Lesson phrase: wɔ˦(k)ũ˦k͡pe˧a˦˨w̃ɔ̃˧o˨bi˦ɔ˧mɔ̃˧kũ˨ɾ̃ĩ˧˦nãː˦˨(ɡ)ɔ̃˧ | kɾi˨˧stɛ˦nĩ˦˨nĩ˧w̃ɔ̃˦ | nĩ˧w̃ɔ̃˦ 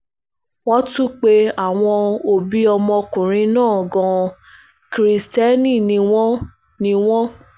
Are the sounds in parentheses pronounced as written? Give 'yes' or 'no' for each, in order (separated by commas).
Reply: no, yes